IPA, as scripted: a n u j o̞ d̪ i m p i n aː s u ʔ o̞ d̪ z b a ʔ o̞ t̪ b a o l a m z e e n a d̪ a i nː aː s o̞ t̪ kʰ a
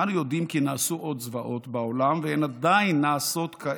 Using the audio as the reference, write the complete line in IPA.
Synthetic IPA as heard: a n u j o̞ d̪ i m k i n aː s u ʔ o̞ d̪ z v a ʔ o̞ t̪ b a o l a m v e e n a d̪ a i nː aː s o̞ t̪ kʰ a